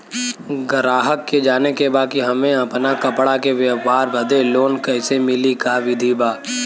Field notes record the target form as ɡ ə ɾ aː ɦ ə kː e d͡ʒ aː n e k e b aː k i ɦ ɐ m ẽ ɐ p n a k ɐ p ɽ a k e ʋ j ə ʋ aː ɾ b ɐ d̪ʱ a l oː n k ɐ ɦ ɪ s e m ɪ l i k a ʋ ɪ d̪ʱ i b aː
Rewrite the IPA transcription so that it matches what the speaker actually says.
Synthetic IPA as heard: ɡ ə ɾ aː ɦ ə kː e d͡ʒ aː n e k e b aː k i ɦ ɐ m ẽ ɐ p n a k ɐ p ɽ a k e ʋ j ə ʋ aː ɾ b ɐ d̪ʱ e l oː n k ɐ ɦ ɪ s e m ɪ l i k a ʋ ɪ d̪ʱ i b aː